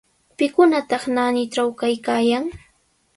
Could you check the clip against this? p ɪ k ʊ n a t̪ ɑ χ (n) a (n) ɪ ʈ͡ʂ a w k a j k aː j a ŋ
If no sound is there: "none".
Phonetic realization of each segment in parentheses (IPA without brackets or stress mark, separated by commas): n, n